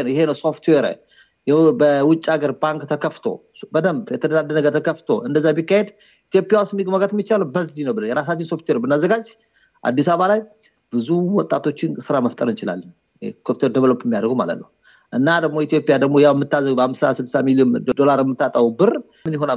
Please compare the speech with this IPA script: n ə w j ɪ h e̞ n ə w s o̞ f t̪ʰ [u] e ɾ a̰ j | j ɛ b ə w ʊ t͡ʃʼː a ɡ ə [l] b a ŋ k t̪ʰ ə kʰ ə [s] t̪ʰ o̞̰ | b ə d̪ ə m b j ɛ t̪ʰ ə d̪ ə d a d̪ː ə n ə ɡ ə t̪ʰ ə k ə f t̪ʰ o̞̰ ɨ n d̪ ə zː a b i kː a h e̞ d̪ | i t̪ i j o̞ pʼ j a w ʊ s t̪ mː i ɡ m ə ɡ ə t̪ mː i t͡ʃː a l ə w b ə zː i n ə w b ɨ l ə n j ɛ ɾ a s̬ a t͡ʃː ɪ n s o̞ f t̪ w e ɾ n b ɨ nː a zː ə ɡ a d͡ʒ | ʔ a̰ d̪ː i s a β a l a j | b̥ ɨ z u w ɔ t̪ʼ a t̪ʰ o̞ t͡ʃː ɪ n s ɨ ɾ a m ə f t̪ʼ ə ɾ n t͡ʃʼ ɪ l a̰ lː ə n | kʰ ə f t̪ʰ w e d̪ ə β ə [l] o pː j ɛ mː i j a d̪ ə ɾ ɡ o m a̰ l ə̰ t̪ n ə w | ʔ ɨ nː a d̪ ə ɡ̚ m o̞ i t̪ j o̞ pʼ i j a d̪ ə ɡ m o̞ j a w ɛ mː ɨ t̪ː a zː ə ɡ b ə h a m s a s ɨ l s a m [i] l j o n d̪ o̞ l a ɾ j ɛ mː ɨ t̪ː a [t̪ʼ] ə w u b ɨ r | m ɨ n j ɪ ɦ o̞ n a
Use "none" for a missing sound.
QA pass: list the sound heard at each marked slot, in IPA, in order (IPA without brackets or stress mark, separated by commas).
w, ɾ, f, l, i, t̪ʼ